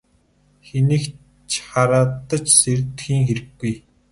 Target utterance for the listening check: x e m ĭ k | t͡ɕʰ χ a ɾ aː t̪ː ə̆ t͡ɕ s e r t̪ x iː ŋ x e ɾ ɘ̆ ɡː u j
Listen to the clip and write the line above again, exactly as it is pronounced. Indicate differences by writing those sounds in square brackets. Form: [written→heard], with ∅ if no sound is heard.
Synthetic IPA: x e [m→n] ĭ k | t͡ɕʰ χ a ɾ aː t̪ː ə̆ t͡ɕ s e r t̪ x iː ŋ x e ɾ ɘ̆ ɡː u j